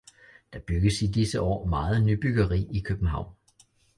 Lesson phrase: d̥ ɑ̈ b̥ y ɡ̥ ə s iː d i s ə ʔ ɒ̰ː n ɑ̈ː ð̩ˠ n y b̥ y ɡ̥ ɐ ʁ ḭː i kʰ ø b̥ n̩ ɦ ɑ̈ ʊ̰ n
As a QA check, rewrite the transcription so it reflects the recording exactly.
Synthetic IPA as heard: d̥ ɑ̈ b̥ y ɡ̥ ə s i d i s ə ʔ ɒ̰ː m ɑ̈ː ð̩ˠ n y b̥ y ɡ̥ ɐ ʁ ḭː i kʰ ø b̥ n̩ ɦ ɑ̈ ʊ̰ n